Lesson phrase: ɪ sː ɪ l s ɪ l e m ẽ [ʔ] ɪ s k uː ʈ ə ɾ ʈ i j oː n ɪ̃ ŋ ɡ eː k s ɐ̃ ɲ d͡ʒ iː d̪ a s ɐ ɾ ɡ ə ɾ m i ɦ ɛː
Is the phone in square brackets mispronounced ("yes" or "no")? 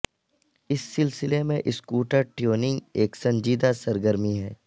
no